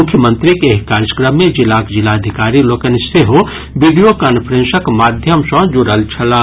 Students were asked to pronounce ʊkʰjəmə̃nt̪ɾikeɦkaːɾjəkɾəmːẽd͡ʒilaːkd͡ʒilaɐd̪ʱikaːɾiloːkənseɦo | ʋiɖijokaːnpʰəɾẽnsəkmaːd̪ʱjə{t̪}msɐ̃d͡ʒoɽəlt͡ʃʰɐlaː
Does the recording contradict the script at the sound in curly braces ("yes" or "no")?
yes